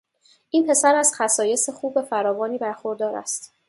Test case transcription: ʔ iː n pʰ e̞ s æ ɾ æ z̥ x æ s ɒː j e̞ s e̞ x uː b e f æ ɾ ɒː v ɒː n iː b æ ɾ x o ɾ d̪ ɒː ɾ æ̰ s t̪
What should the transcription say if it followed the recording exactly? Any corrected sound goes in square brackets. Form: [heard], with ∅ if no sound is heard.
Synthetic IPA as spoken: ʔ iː n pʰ e̞ s æ ɾ æ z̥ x æ s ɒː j e̞ s e̞ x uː b e f æ ɾ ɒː v ɒː n iː b æ ɾ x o ɾ d̪ ɒː ɾ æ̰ s t̪